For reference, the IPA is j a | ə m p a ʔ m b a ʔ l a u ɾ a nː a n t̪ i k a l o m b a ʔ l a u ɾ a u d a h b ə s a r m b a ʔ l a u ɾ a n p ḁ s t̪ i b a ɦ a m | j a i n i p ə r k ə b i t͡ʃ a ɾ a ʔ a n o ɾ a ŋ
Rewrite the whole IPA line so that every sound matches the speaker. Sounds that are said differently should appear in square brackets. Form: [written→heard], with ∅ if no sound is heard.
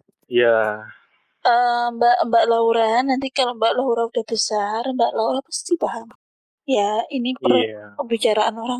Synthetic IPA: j a | ə m [p→b] a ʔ m b a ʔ l a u ɾ a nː a n t̪ i k a l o m b a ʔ l a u ɾ a u d a h b ə s a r m b a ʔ l a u ɾ a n p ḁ s t̪ i b a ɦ a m | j a i n i p ə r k ə b i t͡ʃ a ɾ a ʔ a n o ɾ a ŋ